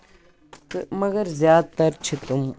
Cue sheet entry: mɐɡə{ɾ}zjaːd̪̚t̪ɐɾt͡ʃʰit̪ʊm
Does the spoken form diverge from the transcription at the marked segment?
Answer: no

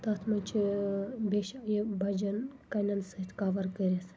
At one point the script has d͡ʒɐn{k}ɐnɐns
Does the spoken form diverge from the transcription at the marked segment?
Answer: no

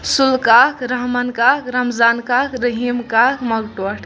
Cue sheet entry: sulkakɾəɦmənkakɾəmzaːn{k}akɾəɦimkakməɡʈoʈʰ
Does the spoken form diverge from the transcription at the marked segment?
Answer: no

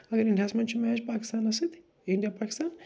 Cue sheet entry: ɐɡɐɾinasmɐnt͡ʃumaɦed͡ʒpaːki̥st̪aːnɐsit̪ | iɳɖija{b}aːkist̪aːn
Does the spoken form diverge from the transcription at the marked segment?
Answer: yes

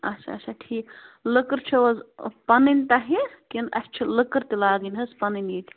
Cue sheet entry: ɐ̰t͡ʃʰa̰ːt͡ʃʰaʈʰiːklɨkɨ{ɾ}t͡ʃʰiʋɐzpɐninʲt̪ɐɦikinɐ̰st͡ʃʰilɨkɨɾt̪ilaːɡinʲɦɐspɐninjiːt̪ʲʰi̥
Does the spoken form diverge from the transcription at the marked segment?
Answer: no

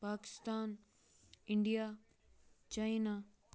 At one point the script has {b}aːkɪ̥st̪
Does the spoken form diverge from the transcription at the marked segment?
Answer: yes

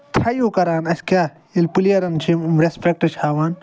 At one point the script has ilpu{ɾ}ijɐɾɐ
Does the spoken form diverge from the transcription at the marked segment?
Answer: yes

